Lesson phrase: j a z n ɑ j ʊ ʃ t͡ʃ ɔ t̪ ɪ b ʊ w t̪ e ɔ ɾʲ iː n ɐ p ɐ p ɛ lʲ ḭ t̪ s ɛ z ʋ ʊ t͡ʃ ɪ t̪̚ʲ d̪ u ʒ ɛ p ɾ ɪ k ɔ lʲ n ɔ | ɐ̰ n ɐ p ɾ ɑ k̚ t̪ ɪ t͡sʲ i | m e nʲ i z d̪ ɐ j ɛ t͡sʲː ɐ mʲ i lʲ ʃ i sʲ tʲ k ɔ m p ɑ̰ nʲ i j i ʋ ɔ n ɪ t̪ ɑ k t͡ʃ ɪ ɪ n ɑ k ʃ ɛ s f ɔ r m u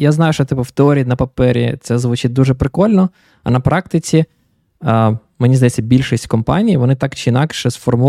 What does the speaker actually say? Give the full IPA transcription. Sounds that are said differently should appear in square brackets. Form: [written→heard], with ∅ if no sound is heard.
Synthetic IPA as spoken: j a z n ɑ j ʊ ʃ t͡ʃ ɔ t̪ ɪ [b→p] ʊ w t̪ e ɔ ɾʲ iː n ɐ p ɐ p ɛ [lʲ→ɾʲ] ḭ t̪ s ɛ z ʋ ʊ t͡ʃ ɪ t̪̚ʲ d̪ u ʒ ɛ p ɾ ɪ k ɔ lʲ n ɔ | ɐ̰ n ɐ p ɾ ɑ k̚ t̪ ɪ t͡sʲ i | m e nʲ i z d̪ ɐ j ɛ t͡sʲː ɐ [mʲ→bʲ] i lʲ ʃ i sʲ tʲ k ɔ m p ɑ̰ nʲ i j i ʋ ɔ n ɪ t̪ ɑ k t͡ʃ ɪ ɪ n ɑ k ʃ ɛ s f ɔ r m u